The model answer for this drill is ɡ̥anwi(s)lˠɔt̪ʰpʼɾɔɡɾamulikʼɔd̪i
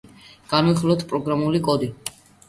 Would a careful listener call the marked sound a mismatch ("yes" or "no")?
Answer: yes